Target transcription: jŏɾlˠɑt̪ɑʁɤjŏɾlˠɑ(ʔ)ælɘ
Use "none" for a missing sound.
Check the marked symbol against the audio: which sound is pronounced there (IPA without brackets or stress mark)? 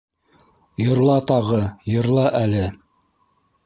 ʔ